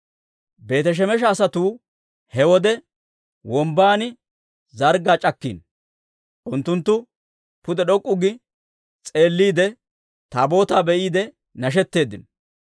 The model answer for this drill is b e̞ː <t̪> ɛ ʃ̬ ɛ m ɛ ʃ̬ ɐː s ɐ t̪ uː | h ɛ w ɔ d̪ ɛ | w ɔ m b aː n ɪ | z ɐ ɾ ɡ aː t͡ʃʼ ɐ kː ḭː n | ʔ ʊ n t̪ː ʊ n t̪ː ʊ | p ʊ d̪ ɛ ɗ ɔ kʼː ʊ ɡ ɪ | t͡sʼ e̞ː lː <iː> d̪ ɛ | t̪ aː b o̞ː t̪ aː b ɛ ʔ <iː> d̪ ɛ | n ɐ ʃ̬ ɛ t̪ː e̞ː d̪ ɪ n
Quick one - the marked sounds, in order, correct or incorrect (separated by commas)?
correct, correct, correct